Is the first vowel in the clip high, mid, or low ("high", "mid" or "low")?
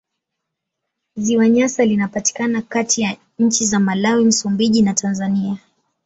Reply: high